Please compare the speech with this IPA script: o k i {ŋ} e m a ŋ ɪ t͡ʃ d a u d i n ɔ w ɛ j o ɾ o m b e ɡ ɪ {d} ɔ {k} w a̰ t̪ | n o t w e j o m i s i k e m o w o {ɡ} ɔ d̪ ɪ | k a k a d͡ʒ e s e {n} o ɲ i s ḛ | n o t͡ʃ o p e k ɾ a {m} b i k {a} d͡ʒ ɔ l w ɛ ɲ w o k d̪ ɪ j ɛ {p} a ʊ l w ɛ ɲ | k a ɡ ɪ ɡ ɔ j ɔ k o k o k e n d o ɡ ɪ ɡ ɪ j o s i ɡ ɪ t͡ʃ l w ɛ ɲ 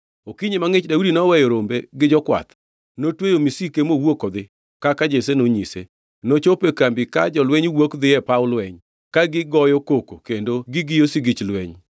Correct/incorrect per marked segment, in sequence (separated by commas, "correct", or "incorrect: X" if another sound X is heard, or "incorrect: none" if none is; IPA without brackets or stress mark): incorrect: ɲ, incorrect: d͡ʒ, correct, incorrect: k, correct, correct, correct, correct